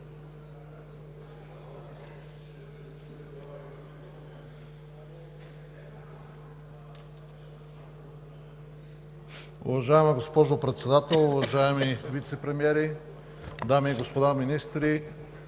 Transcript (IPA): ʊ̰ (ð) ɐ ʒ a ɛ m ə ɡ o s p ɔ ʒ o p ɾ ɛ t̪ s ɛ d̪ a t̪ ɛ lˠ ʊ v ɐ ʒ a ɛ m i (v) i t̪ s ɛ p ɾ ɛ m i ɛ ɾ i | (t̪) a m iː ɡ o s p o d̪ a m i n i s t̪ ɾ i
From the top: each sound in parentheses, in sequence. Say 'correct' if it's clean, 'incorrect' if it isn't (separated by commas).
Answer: incorrect, correct, incorrect